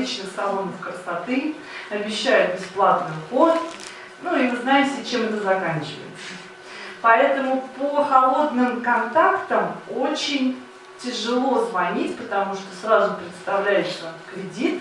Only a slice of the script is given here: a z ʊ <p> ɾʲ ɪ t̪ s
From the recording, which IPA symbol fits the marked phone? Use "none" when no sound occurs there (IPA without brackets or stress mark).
p